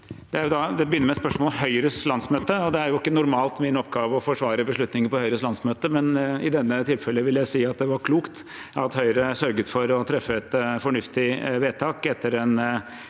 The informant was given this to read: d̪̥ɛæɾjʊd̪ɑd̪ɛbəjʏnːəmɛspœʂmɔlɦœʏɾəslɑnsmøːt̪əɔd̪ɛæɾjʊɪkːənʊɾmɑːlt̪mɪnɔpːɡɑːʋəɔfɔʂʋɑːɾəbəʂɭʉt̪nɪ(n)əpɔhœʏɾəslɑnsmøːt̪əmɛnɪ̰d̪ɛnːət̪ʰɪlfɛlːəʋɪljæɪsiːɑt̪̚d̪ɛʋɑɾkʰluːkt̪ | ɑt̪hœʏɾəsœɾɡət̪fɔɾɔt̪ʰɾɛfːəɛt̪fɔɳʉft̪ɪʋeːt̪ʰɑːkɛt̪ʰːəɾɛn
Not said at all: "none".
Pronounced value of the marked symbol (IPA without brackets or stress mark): ŋ